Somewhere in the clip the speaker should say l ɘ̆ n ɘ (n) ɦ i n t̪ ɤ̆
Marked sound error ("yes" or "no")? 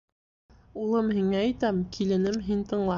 yes